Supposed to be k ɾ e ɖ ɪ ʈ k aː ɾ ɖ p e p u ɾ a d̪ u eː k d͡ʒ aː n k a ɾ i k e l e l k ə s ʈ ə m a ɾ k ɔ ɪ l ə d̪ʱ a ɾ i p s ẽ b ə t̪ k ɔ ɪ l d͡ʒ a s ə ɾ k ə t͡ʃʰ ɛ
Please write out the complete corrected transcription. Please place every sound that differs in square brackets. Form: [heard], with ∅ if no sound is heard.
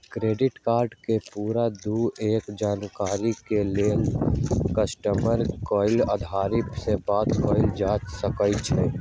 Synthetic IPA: k ɾ e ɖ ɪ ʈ k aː ɾ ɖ [k] e p u ɾ a d̪ u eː k d͡ʒ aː n k a ɾ i k e l e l k ə s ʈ ə m [ə] ɾ k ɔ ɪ l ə d̪ʱ a ɾ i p s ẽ b [a] t̪ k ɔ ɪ l d͡ʒ a s ə [∅] k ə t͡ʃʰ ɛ